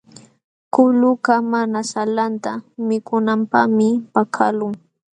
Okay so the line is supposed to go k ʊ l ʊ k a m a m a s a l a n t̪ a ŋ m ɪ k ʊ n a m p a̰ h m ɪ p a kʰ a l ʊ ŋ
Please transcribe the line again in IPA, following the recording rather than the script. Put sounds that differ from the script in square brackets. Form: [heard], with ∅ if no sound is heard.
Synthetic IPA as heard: k ʊ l ʊ k a m a [n] a s a l a n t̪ a [∅] m ɪ k ʊ n a m p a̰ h m ɪ p a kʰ a l ʊ ŋ